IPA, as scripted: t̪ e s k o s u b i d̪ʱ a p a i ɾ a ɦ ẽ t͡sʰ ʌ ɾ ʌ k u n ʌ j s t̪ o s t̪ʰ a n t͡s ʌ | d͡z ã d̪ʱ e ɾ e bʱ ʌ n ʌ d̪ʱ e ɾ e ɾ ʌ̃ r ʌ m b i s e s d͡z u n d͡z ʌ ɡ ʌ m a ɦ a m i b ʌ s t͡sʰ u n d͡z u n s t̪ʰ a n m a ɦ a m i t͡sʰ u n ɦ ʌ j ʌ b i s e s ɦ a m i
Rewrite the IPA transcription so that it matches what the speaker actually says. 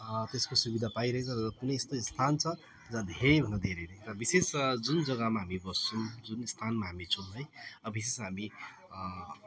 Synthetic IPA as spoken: t̪ e s k o s u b i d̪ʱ a p a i ɾ ʌ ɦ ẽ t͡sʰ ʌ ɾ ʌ k u n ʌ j s t̪ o s t̪ʰ a n t͡sʰ ʌ | d͡z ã d̪ʱ e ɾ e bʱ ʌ n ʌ d̪ʱ e ɾ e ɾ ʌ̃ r ʌ b i s e s d͡z u n d͡z ʌ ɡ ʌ m a ɦ a m i b ʌ s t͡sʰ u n d͡z u n s t̪ʰ a n m a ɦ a m i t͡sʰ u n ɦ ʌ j ʌ b i s e s ɦ a m i